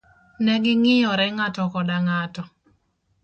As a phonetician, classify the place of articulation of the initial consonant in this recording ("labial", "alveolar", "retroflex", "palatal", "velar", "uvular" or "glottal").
alveolar